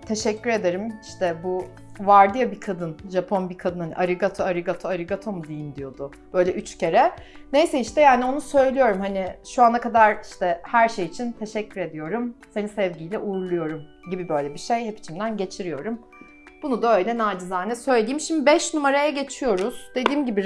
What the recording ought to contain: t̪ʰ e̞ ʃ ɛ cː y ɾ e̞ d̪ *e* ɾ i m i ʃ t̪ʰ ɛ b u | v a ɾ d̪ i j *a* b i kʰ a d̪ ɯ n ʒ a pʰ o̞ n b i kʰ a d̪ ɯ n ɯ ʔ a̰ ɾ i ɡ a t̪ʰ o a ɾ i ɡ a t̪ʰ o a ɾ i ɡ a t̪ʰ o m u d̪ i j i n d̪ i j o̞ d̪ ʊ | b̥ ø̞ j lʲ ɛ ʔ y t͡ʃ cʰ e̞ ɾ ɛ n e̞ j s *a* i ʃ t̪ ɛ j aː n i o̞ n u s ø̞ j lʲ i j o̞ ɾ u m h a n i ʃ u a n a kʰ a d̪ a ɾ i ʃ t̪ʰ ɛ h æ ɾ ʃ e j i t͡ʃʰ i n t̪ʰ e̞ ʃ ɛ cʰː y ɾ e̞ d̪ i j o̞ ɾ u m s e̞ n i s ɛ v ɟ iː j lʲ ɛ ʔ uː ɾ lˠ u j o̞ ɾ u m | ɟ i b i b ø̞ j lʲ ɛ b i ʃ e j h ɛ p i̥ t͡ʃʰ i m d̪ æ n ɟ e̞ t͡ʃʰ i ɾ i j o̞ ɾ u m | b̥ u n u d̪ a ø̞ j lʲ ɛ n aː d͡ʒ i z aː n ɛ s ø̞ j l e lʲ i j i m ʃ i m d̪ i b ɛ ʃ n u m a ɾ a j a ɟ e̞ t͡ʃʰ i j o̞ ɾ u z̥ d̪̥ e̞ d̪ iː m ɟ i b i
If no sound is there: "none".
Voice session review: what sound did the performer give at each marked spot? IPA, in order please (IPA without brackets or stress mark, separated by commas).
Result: e, a, ɛ